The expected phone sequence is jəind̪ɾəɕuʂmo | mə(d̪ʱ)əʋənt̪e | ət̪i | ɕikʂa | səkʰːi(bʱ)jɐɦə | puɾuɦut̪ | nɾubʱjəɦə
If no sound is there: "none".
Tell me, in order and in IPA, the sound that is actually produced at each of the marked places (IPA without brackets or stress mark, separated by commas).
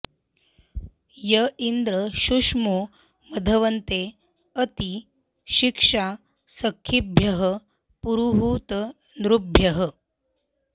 d̪ʱ, bʱ